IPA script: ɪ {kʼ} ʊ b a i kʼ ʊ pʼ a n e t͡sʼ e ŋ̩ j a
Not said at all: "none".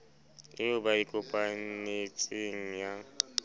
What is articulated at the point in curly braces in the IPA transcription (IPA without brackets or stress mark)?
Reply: none